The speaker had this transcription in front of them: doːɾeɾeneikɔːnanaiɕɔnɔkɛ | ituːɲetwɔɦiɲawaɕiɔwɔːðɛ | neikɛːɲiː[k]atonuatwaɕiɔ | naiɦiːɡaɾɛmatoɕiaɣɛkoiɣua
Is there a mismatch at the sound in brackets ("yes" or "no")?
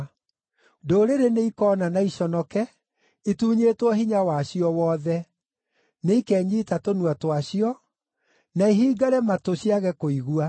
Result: yes